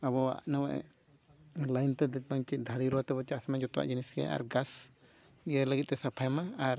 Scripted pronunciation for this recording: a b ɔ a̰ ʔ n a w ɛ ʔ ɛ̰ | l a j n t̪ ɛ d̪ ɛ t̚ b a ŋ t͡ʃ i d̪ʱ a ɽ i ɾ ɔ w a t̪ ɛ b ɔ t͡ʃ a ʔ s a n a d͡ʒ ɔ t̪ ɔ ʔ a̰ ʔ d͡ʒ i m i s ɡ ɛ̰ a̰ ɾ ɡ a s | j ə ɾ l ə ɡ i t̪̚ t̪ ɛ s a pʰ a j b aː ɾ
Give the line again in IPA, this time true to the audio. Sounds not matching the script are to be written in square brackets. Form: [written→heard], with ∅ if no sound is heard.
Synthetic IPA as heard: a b ɔ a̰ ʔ n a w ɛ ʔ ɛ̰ | l a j n t̪ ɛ d̪ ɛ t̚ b a ŋ t͡ʃ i d̪ʱ a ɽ i ɾ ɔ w a t̪ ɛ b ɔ t͡ʃ a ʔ s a [n→m] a d͡ʒ ɔ t̪ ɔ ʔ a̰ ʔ d͡ʒ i [m→n] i s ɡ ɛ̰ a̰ ɾ ɡ a s | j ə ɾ l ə ɡ i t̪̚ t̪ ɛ s a pʰ a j [b→m] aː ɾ

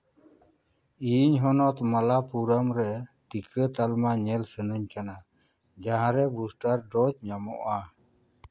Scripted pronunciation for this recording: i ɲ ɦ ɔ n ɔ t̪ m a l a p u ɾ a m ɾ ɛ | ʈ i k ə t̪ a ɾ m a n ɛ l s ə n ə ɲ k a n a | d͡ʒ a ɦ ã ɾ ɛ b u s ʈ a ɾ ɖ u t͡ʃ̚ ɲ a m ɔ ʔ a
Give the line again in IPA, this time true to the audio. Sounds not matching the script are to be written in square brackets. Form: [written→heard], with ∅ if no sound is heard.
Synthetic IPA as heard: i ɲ ɦ ɔ n ɔ t̪ m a l a p u ɾ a m ɾ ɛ | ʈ i k ə t̪ a [ɾ→l] m a [n→ɲ] ɛ l s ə n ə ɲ k a n a | d͡ʒ a ɦ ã ɾ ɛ b u s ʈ a ɾ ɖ [u→ɔ] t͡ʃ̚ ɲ a m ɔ ʔ a

